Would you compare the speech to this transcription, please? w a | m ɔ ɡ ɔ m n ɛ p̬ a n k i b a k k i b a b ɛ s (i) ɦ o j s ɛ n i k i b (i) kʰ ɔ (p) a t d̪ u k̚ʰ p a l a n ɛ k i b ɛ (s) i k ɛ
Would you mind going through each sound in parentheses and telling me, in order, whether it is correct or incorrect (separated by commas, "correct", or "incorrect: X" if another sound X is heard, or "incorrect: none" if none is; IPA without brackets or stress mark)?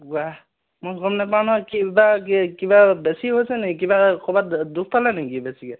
correct, incorrect: a, incorrect: b, correct